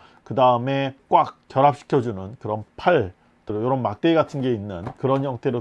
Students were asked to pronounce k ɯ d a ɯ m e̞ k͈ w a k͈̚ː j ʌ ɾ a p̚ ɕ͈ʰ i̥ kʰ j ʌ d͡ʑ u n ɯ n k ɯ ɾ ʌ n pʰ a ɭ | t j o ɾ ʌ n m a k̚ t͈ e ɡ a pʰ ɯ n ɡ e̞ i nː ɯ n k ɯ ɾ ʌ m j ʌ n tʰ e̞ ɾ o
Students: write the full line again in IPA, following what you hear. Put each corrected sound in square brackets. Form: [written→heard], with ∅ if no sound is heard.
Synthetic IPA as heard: k ɯ d a ɯ m e̞ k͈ w a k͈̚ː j ʌ ɾ a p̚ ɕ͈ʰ i̥ kʰ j ʌ d͡ʑ u n ɯ n k ɯ ɾ ʌ n pʰ a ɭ | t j o ɾ ʌ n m a k̚ t͈ e ɡ a [pʰ→tʰ] ɯ n ɡ e̞ i nː ɯ n k ɯ ɾ ʌ [m→n] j ʌ [n→ŋ] tʰ e̞ ɾ o

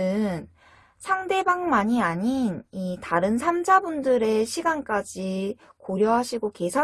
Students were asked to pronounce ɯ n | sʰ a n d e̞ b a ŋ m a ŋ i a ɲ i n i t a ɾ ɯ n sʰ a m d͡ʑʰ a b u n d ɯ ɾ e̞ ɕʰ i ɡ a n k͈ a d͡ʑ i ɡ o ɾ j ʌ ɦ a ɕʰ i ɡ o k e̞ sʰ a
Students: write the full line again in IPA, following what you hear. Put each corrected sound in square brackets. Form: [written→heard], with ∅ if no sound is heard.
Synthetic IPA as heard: ɯ n | sʰ a [n→ŋ] d e̞ b a ŋ m a [ŋ→ɲ] i a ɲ i n i t a ɾ ɯ n sʰ a m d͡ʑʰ a b u n d ɯ ɾ e̞ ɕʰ i ɡ a n k͈ a d͡ʑ i [ɡ→k] o ɾ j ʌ ɦ a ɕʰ i ɡ o k e̞ sʰ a

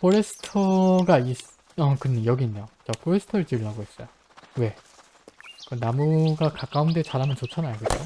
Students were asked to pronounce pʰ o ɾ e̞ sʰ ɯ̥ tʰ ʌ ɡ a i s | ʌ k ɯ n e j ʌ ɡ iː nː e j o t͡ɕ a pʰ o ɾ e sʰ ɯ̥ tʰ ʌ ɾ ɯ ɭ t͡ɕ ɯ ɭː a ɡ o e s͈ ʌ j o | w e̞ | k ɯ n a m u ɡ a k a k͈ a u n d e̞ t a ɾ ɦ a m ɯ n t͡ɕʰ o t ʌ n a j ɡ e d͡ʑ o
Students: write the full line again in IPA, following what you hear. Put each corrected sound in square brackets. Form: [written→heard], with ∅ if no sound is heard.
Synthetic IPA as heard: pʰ o ɾ e̞ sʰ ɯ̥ tʰ ʌ ɡ a i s | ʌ k ɯ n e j ʌ ɡ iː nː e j o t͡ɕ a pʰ o ɾ e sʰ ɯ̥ tʰ ʌ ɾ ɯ ɭ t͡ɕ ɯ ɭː a ɡ o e s͈ ʌ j o | w e̞ | k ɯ n a m u ɡ a k a k͈ a u n d e̞ [t→t͡ɕ] a ɾ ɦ a m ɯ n [t͡ɕʰ→t͡ɕ] o [t→t͡ɕʰ] ʌ n a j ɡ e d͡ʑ o

